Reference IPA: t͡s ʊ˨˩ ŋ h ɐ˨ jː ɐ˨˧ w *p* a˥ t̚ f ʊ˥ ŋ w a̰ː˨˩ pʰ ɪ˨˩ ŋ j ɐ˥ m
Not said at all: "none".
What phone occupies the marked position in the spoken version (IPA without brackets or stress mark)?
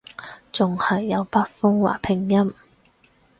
p